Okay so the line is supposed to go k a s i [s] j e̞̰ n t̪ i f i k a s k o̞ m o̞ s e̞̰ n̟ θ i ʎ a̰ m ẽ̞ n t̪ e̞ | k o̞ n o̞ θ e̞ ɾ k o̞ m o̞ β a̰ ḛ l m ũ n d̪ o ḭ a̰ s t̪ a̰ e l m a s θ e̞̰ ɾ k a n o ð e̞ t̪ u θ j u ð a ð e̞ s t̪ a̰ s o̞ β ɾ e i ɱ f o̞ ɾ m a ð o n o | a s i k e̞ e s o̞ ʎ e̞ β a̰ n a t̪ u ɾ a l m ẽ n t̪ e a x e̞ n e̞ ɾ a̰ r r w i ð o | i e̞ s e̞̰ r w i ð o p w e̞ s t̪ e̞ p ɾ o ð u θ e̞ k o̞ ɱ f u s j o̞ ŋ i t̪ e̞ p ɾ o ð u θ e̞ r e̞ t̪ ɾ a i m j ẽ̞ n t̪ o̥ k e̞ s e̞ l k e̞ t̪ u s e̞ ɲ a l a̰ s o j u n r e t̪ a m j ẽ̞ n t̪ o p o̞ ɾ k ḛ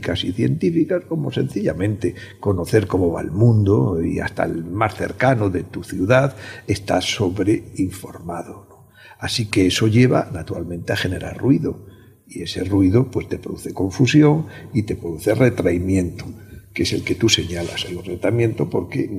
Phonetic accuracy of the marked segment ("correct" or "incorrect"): incorrect